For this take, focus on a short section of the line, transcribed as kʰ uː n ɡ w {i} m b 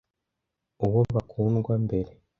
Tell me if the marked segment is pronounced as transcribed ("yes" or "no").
no